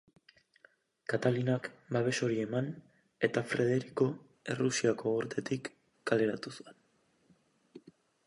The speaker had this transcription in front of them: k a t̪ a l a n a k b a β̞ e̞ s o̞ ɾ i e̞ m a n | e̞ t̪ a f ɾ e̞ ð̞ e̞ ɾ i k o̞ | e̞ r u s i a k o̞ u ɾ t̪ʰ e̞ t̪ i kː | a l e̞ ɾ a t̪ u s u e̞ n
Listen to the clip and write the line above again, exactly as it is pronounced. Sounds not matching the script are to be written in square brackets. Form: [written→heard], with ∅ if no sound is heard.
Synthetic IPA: k a t̪ a l [a→i] n a k b a β̞ e̞ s o̞ ɾ i e̞ m a n | e̞ t̪ a f ɾ e̞ ð̞ e̞ ɾ i k o̞ | e̞ r u s i a k o̞ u ɾ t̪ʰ e̞ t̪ i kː | a l e̞ ɾ a t̪ u s u e̞ n